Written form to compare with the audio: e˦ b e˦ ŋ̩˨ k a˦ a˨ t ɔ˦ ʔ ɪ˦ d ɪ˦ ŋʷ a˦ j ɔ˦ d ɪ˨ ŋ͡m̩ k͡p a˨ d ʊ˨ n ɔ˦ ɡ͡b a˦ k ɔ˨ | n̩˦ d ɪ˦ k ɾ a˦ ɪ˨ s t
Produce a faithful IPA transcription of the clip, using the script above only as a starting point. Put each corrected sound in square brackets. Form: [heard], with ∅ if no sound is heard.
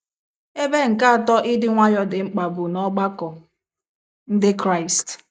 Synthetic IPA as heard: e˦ b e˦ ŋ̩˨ k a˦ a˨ t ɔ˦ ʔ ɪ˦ d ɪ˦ ŋʷ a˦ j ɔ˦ d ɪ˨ ŋ͡m̩ k͡p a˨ [b] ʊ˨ n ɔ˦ ɡ͡b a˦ k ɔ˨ | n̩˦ d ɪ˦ k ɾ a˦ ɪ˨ s t